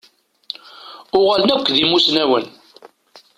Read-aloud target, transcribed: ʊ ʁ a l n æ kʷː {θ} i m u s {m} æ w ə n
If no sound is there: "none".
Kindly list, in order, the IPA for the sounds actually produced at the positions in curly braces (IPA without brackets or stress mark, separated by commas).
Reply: ð, n